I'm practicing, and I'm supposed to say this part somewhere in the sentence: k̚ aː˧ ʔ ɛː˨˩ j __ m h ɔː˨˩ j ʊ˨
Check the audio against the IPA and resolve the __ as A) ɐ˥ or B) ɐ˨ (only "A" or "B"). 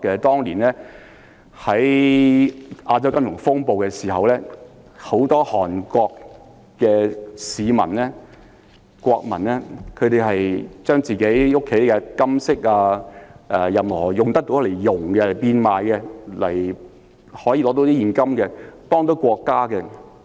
B